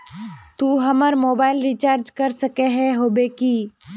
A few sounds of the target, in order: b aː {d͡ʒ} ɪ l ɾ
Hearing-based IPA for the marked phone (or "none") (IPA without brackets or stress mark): none